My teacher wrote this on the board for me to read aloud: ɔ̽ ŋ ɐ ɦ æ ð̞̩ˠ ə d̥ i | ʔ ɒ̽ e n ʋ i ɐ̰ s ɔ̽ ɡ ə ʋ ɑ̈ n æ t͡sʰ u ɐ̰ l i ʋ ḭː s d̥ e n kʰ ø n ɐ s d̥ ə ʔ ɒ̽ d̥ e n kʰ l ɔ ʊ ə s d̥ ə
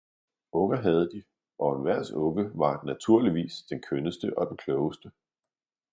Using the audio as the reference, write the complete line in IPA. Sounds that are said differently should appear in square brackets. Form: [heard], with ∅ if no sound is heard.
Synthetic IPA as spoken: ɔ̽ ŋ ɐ ɦ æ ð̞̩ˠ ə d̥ i | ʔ ɒ̽ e n ʋ [æ] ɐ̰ s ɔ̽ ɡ ə ʋ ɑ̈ n æ t͡sʰ u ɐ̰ l i ʋ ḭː s d̥ e n kʰ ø n [ə] s d̥ ə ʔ ɒ̽ d̥ e n kʰ l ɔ ʊ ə s d̥ ə